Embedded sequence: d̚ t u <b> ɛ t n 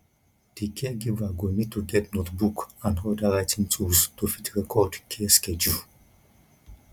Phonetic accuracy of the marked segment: incorrect: ɡ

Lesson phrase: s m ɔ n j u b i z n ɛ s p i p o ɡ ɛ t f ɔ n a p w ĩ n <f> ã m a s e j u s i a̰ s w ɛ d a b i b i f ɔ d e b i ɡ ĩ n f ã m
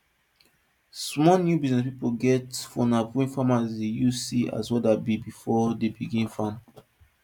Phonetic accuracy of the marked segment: correct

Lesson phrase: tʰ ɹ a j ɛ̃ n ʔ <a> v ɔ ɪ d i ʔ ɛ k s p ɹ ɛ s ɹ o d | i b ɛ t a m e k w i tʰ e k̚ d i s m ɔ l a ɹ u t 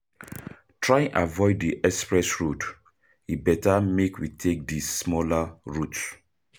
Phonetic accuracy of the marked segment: correct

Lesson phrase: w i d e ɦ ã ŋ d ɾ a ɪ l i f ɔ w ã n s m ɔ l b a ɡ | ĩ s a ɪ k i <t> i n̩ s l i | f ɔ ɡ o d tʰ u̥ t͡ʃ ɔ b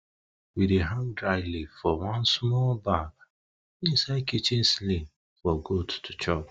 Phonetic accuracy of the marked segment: incorrect: t͡ʃ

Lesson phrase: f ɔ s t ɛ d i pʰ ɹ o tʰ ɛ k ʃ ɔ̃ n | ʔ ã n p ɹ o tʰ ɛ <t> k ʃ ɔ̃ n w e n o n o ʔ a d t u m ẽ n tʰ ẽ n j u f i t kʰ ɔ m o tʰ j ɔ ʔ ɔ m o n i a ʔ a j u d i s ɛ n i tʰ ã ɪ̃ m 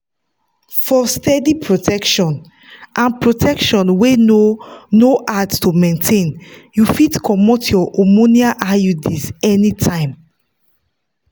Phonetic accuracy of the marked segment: incorrect: none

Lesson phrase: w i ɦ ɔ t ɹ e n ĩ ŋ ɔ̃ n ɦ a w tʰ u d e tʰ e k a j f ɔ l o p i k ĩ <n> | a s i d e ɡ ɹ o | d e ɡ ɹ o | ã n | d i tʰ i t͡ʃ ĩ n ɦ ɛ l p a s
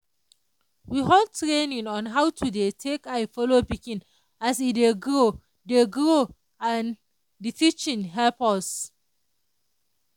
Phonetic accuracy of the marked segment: correct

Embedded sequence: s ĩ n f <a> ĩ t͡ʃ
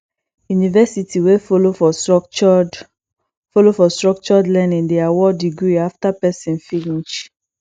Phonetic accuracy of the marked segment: incorrect: i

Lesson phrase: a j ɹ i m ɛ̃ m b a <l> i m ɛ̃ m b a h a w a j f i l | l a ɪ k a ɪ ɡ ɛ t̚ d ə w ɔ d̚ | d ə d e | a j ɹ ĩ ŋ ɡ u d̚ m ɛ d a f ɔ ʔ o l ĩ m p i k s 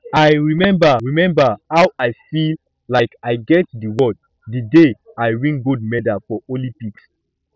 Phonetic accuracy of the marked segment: incorrect: ɹ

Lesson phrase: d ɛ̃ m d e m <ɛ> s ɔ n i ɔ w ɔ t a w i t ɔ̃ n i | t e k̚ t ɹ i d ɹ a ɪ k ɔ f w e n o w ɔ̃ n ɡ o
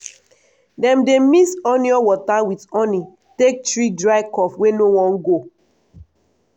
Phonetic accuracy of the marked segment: incorrect: i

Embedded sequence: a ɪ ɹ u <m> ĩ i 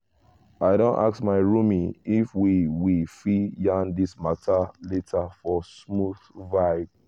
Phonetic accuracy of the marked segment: correct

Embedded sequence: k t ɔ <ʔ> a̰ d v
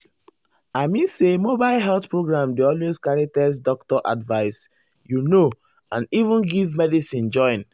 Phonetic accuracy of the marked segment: correct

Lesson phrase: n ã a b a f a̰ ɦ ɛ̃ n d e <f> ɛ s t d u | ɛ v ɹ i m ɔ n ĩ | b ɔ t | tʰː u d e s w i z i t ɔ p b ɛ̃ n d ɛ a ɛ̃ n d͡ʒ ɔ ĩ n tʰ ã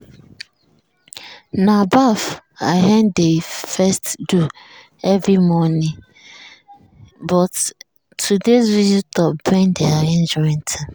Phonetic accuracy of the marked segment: correct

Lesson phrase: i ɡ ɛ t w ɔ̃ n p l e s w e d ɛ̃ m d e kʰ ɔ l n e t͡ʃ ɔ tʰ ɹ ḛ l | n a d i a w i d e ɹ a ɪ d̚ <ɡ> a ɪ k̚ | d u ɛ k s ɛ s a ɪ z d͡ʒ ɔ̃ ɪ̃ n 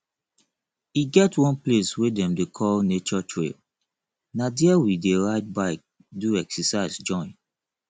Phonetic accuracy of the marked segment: incorrect: b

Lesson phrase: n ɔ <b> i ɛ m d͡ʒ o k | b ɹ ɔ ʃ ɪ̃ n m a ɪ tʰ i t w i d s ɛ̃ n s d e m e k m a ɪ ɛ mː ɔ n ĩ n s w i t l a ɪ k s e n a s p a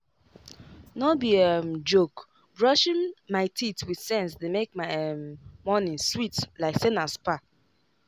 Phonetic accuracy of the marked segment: correct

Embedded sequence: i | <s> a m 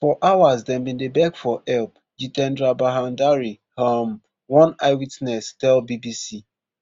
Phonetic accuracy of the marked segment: incorrect: h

